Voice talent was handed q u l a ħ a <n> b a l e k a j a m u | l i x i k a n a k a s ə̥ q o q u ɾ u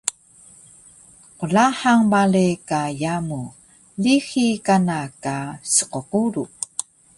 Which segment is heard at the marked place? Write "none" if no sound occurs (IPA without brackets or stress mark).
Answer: ŋ